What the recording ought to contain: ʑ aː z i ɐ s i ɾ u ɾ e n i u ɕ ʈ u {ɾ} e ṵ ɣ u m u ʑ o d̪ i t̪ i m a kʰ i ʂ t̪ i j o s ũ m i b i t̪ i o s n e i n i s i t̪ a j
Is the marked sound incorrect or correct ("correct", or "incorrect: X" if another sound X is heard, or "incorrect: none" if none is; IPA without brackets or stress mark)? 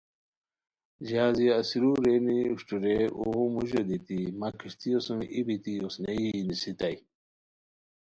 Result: correct